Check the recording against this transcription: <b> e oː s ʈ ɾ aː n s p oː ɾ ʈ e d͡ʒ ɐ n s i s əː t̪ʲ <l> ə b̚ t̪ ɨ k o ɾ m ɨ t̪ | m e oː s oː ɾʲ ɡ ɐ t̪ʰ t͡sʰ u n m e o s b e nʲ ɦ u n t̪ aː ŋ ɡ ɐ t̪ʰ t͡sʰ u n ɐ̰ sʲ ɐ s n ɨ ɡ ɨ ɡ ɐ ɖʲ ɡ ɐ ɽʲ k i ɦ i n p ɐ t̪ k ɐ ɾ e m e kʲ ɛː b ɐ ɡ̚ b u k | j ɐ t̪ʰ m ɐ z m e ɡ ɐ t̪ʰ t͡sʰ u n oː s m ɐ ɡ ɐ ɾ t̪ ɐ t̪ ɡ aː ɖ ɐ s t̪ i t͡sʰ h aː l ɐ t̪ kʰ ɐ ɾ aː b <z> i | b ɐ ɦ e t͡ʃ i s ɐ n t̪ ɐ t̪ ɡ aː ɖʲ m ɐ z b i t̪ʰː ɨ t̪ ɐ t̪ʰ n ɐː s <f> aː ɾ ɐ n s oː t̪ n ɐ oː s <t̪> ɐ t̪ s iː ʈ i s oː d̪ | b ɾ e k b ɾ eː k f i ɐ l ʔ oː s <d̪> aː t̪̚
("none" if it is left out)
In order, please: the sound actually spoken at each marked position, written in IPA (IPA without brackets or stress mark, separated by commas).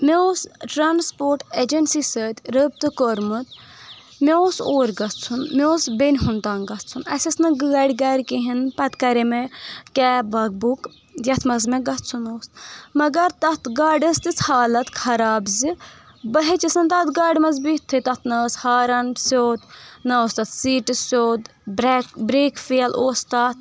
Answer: m, ɾ, z, h, t̪, t̪